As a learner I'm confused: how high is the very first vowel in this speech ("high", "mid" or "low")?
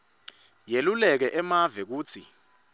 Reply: mid